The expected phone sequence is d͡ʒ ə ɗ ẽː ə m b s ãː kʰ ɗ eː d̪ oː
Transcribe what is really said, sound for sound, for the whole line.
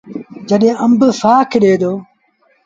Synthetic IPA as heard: d͡ʒ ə ɗ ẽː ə m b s aː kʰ ɗ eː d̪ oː

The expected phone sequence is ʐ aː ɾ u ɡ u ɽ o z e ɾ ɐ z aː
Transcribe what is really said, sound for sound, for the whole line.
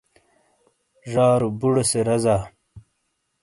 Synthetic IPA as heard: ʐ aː ɾ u b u ɽ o s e ɾ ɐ z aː

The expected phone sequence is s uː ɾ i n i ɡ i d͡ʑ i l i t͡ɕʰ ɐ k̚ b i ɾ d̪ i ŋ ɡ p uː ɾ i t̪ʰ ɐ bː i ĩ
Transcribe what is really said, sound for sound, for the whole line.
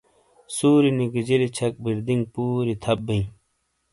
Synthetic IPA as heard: s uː ɾ i n i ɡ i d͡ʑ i l i t͡ɕʰ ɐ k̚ b i ɾ d̪ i ŋ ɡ p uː ɾ i t̪ʰ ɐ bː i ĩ

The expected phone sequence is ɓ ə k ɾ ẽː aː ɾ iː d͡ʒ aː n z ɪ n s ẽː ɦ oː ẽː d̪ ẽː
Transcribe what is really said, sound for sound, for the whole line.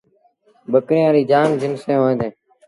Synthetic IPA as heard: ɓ ə k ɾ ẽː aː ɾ iː d͡ʒ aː n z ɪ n s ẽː ɦ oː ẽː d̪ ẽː

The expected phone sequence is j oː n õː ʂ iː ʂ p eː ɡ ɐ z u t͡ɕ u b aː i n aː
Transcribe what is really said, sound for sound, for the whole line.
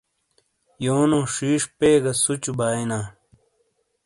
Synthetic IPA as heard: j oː n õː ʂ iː ʂ p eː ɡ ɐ s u t͡ɕ u b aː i n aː

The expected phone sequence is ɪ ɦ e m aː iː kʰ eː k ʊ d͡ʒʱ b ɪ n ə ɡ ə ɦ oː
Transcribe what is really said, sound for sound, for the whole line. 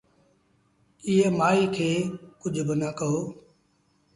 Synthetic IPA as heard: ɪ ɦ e m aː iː kʰ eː k ʊ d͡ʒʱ b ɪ n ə k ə ɦ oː

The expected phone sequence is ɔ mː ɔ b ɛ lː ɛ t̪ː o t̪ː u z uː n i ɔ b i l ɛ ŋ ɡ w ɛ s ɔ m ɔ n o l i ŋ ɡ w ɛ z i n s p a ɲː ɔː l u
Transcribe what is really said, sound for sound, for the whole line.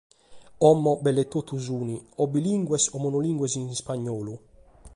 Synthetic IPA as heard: ɔ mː ɔ b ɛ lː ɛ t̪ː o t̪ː u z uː n i ɔ b i l i ŋ ɡ w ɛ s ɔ m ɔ n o l i ŋ ɡ w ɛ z i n s p a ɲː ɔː l u

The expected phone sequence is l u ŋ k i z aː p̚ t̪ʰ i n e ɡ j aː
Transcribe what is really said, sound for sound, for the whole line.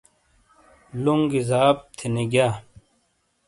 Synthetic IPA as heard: l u ŋ ɡ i z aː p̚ t̪ʰ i n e ɡ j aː

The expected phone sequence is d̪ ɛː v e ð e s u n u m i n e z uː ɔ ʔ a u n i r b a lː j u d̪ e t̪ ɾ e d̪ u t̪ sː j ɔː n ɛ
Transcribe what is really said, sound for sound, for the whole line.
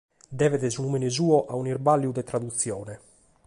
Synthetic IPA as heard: d̪ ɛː v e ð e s u n u m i n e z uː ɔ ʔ a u n i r b a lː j u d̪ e t̪ ɾ a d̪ u t̪ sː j ɔː n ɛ

